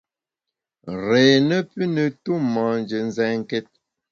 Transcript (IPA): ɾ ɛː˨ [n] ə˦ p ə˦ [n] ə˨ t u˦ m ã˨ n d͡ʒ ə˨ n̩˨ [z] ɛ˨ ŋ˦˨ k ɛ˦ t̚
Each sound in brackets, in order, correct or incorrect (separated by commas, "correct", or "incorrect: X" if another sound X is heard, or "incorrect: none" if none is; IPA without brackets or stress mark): correct, correct, correct